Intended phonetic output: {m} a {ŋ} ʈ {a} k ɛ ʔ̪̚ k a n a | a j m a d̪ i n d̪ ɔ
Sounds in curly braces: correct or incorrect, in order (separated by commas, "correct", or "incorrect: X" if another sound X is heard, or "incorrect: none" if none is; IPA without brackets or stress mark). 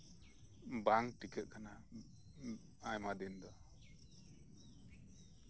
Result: incorrect: b, correct, incorrect: i